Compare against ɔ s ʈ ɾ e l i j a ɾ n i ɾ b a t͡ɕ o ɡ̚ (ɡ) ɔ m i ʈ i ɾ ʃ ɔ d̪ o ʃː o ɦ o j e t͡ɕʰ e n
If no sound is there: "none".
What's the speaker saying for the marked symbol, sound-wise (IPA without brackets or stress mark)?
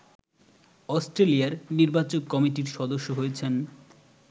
k